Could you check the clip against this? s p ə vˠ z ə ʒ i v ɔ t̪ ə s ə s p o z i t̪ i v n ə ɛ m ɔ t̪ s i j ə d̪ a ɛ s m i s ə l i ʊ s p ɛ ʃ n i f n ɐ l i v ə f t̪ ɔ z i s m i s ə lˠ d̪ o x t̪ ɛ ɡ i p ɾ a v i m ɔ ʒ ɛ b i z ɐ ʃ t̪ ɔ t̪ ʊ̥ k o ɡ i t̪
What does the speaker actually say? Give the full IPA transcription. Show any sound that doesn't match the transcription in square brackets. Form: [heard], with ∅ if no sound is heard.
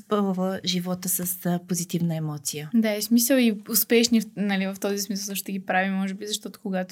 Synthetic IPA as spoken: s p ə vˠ [v] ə ʒ i v ɔ t̪ ə s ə s p o z i t̪ i v n ə ɛ m ɔ t̪ s i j ə d̪ a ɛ s m i s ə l i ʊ s p ɛ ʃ n i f n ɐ l i v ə f t̪ ɔ z i s m i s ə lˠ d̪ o [ʃ] t̪ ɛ ɡ i p ɾ a v i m ɔ ʒ ɛ b i z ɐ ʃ t̪ ɔ t̪ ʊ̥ k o ɡ [a] t̪